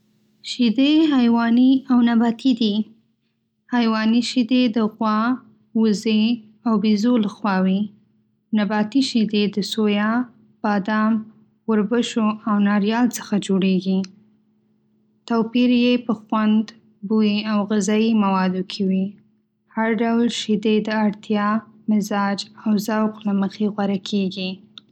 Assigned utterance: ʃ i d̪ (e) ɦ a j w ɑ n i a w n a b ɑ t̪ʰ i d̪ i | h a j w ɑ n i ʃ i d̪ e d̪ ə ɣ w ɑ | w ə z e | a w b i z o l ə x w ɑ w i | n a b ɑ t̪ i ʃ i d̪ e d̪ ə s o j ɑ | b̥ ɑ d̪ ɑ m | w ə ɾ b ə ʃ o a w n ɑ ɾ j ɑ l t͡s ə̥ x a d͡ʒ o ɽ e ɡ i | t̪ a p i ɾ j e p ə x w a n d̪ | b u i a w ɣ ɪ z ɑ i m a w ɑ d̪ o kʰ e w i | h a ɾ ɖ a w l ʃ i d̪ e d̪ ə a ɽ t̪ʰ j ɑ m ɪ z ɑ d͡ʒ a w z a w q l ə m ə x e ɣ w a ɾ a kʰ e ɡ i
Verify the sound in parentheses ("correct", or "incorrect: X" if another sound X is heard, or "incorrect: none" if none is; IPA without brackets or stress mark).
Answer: correct